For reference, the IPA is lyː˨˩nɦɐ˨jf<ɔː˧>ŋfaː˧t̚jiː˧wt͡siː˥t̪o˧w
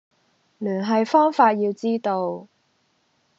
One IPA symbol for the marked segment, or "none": ɔː˥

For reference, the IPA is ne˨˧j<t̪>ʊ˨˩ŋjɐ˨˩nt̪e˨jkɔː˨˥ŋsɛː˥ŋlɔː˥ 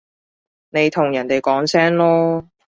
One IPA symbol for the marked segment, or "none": t̪ʰ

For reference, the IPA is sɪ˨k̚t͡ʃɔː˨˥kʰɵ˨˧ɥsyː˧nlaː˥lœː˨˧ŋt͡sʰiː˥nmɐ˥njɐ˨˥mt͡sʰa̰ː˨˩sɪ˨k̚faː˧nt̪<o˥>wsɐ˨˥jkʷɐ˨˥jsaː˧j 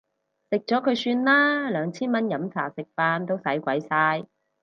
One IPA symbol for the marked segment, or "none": o˥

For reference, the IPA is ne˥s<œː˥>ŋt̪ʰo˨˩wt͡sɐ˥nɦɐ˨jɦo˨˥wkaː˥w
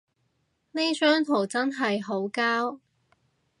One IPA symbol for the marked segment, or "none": œː˥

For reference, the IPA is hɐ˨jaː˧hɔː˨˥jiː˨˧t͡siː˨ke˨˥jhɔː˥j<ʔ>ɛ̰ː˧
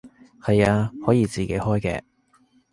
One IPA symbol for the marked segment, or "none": k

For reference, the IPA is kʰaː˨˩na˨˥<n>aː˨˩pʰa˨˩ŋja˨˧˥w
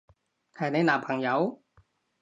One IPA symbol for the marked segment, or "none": n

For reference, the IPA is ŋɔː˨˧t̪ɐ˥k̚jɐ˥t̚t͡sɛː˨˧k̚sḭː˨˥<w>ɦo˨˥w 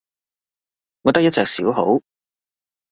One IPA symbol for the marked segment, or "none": w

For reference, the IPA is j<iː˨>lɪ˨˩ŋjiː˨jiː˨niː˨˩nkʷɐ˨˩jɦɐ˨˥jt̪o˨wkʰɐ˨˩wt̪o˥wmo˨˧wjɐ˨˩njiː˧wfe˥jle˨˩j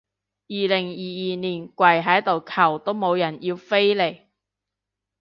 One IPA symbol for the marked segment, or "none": iː˨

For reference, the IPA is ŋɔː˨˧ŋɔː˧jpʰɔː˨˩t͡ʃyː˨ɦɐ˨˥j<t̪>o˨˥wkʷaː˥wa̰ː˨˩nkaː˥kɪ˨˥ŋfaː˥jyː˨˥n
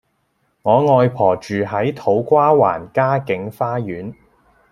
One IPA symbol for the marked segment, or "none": t̪ʰ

